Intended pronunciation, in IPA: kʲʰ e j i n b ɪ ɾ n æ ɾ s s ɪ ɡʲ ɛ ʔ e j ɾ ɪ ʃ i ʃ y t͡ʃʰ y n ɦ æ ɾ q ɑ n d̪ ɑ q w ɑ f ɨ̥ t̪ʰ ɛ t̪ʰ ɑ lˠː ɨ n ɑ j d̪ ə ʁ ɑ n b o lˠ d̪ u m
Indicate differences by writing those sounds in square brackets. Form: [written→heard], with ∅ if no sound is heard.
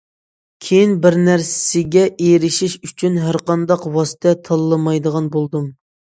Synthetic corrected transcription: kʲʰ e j i n b ɪ ɾ n æ ɾ s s ɪ ɡʲ ɛ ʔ e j ɾ ɪ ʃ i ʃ y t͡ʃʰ y n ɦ æ ɾ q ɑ n d̪ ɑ q w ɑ [f→s] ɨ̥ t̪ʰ ɛ t̪ʰ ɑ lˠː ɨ [n→m] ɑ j d̪ ə ʁ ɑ n b o lˠ d̪ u m